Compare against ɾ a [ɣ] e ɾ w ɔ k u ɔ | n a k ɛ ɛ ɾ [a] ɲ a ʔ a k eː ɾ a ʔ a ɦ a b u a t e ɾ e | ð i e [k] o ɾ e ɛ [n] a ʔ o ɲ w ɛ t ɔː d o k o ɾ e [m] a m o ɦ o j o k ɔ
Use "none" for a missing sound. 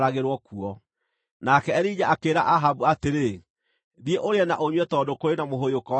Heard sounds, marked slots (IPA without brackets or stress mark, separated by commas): ɣ, i, ʔ, n, n